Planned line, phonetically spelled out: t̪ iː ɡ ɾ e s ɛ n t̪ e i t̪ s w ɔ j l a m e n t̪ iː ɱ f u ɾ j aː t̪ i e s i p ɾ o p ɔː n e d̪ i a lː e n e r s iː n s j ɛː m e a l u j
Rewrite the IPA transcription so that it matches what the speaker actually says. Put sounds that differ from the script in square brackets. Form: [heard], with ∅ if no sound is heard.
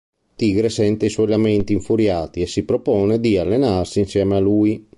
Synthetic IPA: t̪ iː ɡ ɾ e s ɛ n t̪ e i [∅] s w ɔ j l a m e n t̪ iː ɱ f u ɾ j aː t̪ i e s i p ɾ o p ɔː n e d̪ i a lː e n [a] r s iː n s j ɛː m e a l u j